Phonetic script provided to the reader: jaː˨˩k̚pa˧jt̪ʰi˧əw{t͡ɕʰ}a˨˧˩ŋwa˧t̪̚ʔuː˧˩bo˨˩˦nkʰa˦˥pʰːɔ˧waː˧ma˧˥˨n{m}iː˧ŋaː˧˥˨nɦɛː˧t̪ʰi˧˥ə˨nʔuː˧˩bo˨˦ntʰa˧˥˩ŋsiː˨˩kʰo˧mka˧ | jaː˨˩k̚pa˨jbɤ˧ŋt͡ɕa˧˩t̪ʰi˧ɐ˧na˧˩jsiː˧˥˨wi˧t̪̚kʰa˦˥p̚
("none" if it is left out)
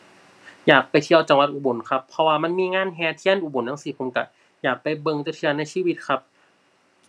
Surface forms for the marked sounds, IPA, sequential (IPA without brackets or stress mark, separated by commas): t͡ɕ, m